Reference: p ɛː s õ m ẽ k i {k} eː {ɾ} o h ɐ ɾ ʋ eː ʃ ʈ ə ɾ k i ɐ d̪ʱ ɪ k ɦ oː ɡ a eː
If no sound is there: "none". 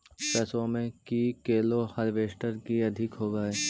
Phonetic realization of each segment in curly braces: k, l

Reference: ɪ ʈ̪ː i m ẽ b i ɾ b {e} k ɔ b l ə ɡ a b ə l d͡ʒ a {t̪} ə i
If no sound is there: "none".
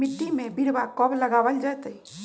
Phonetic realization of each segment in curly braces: a, t̪

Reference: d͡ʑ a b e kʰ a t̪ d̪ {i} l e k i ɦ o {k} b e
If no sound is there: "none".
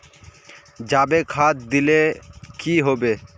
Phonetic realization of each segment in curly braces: i, none

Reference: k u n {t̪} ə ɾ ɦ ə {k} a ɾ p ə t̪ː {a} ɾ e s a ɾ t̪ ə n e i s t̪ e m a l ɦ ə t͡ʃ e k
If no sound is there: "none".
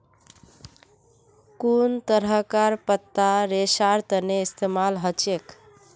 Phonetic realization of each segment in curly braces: t̪, k, a

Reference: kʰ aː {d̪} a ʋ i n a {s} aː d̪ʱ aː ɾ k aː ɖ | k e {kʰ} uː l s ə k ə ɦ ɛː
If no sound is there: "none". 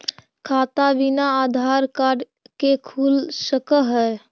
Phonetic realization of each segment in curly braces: t̪, none, kʰ

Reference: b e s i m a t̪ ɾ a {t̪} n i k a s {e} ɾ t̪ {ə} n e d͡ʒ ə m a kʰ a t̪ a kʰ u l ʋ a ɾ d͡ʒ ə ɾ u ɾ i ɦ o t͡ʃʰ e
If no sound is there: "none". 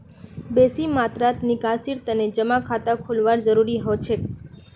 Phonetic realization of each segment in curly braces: t̪, i, ə

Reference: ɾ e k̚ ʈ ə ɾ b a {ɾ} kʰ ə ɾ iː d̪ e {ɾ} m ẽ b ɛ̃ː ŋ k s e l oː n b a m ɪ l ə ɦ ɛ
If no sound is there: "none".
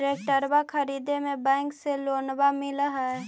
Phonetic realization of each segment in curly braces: none, none

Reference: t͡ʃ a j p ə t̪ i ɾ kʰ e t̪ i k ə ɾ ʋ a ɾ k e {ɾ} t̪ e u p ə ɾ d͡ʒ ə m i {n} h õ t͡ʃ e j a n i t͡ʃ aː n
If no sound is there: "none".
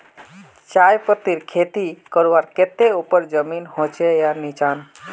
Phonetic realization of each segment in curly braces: none, n

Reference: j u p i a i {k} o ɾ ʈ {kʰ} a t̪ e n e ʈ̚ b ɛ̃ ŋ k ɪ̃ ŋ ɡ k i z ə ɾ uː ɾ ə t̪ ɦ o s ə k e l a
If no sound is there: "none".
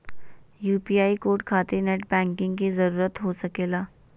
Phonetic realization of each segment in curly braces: k, kʰ

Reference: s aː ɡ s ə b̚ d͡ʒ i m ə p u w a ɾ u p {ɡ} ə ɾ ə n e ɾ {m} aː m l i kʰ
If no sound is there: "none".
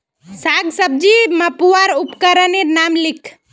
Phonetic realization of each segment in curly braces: k, n

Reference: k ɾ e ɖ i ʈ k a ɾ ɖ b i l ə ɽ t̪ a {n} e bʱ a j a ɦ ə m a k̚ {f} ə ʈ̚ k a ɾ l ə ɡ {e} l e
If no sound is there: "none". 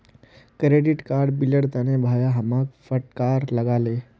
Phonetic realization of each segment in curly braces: n, f, a

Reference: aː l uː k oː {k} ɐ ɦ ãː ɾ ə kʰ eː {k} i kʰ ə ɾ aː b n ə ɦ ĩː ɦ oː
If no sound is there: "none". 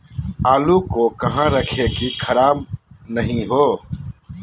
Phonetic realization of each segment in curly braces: k, k

